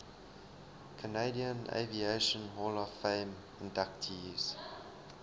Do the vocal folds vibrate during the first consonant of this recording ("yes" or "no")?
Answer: no